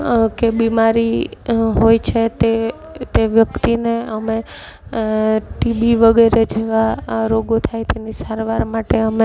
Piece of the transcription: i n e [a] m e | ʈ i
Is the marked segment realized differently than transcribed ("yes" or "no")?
yes